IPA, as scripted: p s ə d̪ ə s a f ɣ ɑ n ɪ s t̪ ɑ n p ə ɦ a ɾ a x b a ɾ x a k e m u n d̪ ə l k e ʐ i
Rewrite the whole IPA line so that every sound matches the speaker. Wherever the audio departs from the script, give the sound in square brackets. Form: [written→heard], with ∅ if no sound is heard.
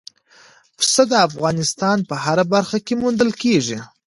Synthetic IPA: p s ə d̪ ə [s→∅] a f ɣ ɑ n ɪ s t̪ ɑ n p ə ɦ a ɾ a [x→∅] b a ɾ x a k e m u n d̪ ə l k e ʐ i